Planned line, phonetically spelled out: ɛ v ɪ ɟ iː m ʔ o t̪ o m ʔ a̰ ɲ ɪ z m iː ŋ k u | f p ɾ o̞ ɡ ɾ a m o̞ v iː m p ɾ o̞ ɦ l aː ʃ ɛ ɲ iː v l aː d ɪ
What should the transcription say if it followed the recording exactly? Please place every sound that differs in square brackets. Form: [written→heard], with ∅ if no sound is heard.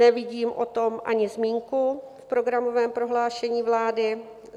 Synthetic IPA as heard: ɛ v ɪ ɟ iː m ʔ o t̪ o m ʔ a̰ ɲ ɪ z m iː ŋ k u | f p ɾ o̞ ɡ ɾ a m o̞ v [iː→ɛː] m p ɾ o̞ ɦ l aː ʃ ɛ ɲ iː v l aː d ɪ